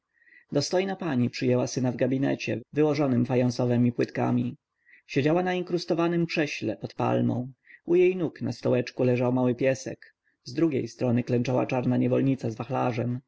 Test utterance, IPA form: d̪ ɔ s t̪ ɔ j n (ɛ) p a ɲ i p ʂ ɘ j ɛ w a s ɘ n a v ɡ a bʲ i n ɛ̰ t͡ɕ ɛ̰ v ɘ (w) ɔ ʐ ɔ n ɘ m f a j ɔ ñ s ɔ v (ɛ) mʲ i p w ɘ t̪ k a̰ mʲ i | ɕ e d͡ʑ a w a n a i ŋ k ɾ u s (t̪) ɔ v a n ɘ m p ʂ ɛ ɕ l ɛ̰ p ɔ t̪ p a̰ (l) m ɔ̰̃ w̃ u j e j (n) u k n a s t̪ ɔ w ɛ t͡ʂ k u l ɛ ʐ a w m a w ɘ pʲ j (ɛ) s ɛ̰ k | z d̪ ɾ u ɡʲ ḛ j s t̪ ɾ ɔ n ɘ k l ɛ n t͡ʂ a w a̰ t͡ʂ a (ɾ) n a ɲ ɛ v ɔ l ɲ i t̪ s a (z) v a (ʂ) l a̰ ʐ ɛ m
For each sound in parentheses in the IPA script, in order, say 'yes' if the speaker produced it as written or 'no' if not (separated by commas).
no, yes, yes, yes, yes, yes, yes, yes, yes, no